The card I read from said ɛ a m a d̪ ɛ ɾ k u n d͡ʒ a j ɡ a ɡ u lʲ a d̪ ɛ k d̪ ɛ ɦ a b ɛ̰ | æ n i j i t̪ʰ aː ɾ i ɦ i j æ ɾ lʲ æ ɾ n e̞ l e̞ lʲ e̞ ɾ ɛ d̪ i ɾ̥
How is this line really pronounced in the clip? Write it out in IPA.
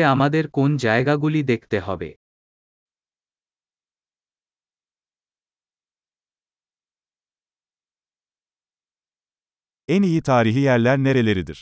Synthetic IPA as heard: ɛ a m a d̪ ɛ ɾ k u n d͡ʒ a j ɡ a ɡ u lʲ i d̪ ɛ k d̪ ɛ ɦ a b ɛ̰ | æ n i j i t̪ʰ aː ɾ i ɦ i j æ ɾ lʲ æ ɾ n e̞ ɾ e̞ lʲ e̞ ɾ i d̪ i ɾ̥